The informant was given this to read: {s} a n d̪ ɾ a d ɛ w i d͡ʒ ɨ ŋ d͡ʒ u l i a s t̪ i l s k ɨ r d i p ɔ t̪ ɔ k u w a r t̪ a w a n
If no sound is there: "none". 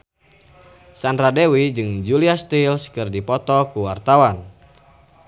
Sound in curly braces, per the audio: s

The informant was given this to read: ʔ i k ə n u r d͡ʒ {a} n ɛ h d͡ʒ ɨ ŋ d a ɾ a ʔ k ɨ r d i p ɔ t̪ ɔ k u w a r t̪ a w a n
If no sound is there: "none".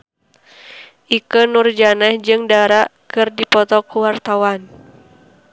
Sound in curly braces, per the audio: a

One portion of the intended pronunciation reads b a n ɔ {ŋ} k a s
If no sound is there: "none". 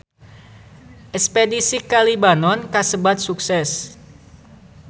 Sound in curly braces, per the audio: n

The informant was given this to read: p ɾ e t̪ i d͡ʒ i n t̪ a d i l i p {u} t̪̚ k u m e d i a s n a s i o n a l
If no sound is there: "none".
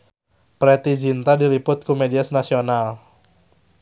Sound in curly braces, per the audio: ʊ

